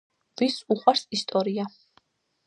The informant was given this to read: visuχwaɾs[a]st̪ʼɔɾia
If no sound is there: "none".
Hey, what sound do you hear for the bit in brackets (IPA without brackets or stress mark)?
i